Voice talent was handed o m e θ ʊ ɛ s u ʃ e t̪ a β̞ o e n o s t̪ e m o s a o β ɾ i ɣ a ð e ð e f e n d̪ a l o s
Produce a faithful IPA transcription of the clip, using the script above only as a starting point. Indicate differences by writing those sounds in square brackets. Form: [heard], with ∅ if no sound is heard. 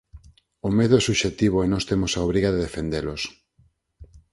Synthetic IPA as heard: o m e [ð] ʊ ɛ s u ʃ e t̪ [i] β̞ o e n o s t̪ e m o s a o β ɾ i ɣ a ð e ð e f e n d̪ [e] l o s